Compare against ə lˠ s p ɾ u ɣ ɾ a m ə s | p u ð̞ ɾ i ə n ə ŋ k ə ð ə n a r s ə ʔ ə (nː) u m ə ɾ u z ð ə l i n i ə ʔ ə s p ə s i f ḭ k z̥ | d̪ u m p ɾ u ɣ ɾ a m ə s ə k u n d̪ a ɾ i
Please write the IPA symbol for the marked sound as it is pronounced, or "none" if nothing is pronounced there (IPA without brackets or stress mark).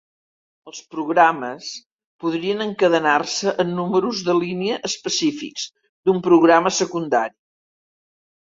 nː